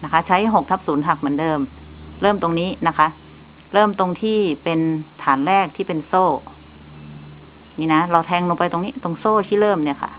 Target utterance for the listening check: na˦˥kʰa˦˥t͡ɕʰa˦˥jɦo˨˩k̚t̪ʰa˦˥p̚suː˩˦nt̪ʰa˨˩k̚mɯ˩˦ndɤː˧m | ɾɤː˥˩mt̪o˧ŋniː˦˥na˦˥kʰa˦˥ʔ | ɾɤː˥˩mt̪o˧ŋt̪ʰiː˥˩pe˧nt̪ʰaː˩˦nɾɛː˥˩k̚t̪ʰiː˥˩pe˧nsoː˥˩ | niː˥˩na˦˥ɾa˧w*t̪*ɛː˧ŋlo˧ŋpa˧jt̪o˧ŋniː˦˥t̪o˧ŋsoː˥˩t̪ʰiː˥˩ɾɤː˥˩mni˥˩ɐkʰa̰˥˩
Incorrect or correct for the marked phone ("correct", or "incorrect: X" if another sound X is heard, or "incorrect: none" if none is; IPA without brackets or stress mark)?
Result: incorrect: t̪ʰ